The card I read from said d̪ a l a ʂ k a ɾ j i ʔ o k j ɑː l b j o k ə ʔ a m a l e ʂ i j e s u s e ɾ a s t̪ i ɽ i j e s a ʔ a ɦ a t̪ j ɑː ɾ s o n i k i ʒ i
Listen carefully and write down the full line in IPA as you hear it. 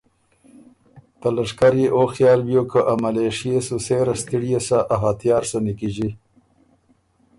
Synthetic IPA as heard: t̪ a l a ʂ k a ɾ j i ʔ o x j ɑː l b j o k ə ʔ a m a l e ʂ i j e s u s e ɾ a s t̪ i ɽ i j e s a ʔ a ɦ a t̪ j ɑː ɾ s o n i k i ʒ i